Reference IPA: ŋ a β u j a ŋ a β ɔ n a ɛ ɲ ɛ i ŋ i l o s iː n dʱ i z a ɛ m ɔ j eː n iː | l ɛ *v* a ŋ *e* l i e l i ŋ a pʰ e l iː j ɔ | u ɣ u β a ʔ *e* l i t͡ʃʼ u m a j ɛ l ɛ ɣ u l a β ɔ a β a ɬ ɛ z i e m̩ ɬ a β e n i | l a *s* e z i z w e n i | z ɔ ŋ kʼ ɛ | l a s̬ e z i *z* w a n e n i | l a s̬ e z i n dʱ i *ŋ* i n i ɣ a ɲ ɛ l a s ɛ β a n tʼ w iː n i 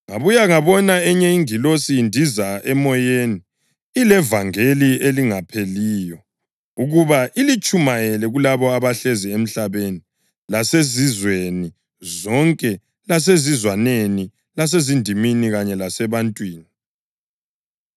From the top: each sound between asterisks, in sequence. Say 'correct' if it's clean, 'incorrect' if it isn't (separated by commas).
correct, correct, incorrect, correct, correct, incorrect